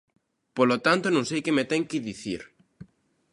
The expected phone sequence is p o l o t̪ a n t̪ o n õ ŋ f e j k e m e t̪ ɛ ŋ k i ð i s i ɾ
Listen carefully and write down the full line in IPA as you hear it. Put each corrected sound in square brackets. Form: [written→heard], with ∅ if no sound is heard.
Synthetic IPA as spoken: p o l o t̪ a n t̪ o n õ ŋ [f→s] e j k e m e t̪ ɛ ŋ k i ð i [s→θ] i ɾ